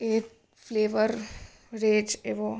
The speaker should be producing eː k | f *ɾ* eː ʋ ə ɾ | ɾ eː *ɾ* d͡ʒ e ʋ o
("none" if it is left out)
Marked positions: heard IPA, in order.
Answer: l, none

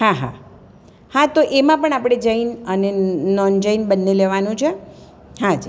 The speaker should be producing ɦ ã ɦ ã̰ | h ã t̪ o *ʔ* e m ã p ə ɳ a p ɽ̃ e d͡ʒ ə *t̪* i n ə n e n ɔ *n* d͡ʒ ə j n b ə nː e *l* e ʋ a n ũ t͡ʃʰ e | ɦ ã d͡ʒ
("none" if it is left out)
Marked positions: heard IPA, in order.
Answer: ʔ, none, n, l

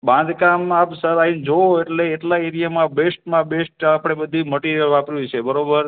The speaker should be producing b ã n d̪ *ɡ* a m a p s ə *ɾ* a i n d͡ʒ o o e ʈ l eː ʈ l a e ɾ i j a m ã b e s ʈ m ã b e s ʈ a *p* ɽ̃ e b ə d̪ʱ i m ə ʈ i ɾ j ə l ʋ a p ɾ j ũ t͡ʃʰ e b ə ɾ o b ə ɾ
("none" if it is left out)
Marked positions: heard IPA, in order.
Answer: k, ɾ, p

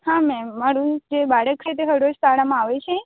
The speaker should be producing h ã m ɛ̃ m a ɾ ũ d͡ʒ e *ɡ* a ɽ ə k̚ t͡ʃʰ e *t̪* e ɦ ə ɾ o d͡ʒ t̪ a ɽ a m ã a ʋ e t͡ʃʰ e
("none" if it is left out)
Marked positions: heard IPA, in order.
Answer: b, t̪

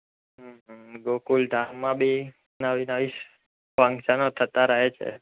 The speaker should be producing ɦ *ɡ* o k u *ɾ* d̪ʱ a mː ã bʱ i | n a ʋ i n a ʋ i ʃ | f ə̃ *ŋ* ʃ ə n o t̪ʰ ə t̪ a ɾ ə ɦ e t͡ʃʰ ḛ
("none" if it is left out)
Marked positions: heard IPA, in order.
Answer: ɡ, l, ŋ

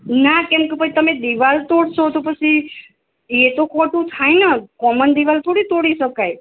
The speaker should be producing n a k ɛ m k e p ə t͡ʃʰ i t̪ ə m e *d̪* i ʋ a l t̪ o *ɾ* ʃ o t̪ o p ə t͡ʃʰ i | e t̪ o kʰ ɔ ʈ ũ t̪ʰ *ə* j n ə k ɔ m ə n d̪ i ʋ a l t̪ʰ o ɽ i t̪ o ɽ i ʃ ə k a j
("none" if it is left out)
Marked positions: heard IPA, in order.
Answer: d̪, ɽ, a

